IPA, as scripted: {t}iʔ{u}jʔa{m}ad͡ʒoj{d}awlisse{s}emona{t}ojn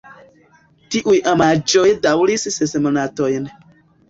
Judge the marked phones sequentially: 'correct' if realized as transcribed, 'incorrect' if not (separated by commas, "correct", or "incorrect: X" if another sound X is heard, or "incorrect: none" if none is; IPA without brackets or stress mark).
correct, correct, correct, correct, correct, correct